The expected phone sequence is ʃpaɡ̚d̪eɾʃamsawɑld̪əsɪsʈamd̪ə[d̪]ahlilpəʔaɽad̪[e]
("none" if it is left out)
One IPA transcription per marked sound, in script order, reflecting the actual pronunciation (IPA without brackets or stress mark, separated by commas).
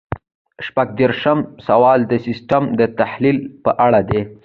t̪, e